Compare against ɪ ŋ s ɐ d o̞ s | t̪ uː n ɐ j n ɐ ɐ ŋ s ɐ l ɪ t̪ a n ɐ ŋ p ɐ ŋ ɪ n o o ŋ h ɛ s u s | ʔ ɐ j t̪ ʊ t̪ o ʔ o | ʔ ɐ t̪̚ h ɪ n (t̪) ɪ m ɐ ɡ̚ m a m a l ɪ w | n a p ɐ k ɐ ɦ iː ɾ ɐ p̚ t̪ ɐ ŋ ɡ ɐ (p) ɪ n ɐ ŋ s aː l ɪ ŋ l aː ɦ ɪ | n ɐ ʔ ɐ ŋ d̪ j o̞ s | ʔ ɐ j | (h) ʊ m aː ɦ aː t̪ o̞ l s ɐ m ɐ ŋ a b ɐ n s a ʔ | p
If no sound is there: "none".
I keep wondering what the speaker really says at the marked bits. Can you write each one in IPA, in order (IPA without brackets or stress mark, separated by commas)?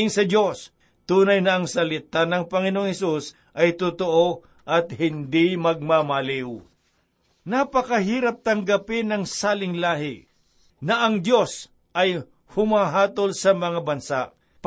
d̪, p, h